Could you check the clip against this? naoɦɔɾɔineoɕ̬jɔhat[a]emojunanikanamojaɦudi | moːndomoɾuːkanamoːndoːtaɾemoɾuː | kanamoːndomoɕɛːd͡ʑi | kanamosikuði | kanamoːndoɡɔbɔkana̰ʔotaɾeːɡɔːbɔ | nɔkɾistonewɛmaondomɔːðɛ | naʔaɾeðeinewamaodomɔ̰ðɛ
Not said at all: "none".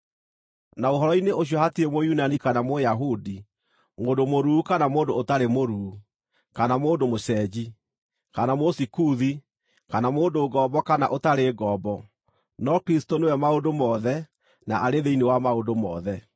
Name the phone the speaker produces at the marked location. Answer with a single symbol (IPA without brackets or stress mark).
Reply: i